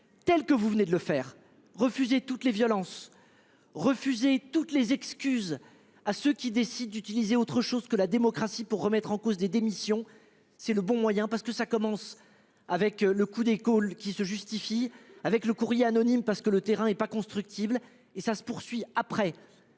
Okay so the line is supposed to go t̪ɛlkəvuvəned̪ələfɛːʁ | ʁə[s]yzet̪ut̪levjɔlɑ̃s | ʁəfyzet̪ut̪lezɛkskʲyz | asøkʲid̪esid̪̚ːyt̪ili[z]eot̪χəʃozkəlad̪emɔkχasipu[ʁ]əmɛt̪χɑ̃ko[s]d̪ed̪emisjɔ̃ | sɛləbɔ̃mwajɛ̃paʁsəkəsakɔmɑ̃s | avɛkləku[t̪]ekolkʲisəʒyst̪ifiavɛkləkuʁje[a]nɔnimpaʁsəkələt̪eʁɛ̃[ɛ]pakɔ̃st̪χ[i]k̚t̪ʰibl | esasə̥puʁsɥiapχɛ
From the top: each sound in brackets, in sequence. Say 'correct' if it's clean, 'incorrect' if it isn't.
incorrect: f, correct, incorrect: ʁː, incorrect: z, incorrect: d̪, correct, correct, incorrect: y

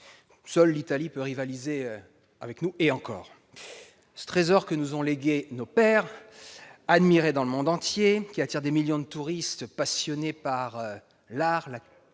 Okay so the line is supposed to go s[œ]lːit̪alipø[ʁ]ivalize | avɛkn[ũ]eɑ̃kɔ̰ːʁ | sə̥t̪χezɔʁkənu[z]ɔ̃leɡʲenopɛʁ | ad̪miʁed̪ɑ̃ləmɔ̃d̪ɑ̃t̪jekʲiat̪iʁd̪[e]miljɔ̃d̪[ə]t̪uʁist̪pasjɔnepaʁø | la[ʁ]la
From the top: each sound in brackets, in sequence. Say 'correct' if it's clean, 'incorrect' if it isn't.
correct, correct, incorrect: u, correct, correct, correct, correct

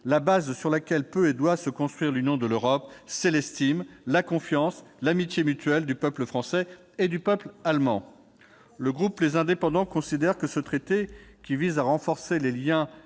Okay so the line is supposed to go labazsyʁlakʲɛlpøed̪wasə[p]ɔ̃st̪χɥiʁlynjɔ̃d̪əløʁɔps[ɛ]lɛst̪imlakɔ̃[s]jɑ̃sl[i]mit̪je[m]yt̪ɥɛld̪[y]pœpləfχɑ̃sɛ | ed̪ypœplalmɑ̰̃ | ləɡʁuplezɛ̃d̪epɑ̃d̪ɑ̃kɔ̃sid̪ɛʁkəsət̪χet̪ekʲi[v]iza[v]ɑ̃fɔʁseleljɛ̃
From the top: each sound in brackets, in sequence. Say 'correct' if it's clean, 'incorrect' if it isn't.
incorrect: k, correct, incorrect: f, incorrect: a, correct, correct, correct, incorrect: ʁ

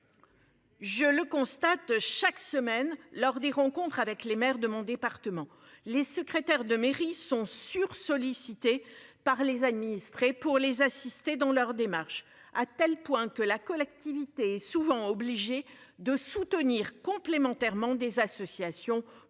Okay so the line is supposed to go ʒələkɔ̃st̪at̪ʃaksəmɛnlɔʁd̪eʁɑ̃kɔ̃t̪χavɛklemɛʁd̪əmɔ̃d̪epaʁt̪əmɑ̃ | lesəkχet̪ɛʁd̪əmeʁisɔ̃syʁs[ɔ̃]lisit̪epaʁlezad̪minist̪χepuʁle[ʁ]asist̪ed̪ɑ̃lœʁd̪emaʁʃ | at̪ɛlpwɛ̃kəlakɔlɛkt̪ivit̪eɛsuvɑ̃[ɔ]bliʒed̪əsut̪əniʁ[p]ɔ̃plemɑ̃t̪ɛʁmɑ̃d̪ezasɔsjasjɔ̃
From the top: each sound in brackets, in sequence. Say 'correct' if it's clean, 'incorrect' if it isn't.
incorrect: ɔ, incorrect: z, correct, incorrect: k

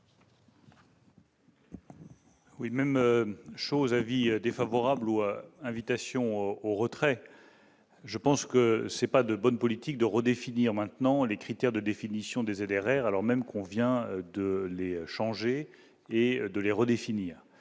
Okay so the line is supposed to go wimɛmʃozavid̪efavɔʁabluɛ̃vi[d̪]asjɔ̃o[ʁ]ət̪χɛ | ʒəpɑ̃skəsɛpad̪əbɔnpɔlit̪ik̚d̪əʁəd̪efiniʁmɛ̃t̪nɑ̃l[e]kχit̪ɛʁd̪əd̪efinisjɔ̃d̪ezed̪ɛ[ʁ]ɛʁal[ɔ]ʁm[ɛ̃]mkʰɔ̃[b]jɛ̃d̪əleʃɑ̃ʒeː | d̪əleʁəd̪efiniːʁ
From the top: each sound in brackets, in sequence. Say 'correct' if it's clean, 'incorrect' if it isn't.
incorrect: t̪, correct, correct, correct, correct, incorrect: ɛ, incorrect: v

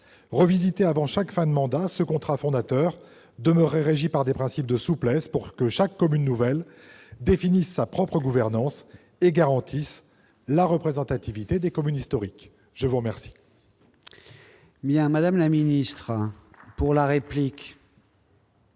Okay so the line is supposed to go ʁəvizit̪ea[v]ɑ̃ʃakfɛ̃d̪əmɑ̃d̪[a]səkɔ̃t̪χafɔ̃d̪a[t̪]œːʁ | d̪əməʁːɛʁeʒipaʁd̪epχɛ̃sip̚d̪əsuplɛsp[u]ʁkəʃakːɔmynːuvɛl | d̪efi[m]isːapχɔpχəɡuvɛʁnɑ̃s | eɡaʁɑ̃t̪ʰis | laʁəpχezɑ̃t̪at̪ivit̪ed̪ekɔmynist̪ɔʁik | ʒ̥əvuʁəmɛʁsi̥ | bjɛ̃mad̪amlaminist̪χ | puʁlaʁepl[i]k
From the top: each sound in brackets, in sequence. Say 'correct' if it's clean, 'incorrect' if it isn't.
correct, correct, correct, correct, incorrect: n, correct

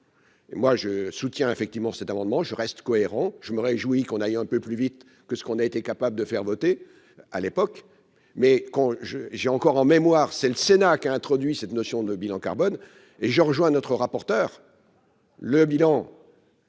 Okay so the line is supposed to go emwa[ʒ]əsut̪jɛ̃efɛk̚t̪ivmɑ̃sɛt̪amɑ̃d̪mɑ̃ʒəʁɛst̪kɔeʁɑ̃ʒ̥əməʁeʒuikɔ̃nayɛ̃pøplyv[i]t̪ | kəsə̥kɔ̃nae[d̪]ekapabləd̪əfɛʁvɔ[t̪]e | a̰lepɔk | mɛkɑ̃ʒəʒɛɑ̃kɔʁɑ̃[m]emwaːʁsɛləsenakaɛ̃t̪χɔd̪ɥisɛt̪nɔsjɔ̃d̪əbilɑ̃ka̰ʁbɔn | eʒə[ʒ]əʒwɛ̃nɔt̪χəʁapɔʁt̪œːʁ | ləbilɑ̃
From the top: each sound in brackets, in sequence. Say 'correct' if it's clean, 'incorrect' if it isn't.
correct, correct, incorrect: t̪, correct, correct, incorrect: ʁ

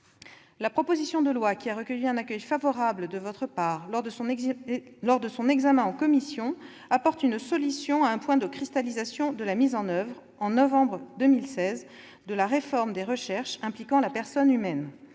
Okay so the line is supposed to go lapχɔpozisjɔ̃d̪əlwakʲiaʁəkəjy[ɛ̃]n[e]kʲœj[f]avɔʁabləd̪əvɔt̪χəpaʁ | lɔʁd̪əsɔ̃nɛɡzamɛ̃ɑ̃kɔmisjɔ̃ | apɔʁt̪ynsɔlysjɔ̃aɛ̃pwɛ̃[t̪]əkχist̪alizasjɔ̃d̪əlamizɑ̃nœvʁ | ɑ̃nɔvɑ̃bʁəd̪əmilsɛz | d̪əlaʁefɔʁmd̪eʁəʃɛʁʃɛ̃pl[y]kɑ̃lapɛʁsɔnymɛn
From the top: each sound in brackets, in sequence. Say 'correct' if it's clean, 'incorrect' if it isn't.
correct, incorrect: a, correct, incorrect: d̪, incorrect: i

